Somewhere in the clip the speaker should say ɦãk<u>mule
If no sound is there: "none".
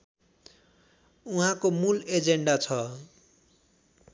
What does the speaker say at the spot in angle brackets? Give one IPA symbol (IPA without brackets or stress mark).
o